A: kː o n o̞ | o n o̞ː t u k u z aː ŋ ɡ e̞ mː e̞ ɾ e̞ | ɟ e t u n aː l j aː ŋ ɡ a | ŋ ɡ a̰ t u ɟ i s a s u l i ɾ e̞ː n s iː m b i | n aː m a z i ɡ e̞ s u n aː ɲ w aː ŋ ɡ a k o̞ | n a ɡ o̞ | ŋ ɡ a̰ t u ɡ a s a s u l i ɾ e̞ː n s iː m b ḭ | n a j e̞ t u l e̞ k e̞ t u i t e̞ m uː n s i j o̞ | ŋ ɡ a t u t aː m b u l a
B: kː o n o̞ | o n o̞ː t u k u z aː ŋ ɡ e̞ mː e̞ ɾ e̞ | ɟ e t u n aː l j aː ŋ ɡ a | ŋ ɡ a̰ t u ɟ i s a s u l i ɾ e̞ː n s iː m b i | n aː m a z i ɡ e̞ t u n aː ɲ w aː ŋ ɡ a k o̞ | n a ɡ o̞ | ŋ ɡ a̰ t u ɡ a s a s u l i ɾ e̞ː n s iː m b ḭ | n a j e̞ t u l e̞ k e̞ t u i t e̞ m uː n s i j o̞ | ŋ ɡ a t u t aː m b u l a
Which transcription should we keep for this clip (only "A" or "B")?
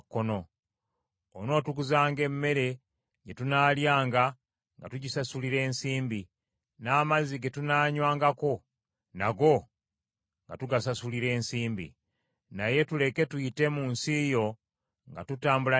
B